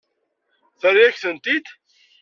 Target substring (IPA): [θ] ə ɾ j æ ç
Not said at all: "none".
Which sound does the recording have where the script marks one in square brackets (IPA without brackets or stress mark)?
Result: θ